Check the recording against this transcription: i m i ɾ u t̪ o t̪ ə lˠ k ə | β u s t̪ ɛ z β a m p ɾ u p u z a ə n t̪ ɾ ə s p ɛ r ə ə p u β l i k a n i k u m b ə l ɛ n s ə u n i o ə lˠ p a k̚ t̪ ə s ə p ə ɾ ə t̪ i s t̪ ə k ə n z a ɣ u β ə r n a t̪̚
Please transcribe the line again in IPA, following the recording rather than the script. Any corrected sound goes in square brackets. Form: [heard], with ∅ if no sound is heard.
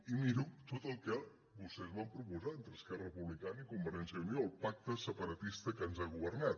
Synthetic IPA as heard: i m i ɾ u t̪ o t̪ ə lˠ k ə | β u s t̪ ɛ z β a m p ɾ u p u z a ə n t̪ ɾ ə s [k] ɛ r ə ə p u β l i k a n i k u m b ə [ɾ] ɛ n s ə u n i o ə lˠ p a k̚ t̪ ə s ə p ə ɾ ə t̪ i s t̪ ə k ə n z a ɣ u β ə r n a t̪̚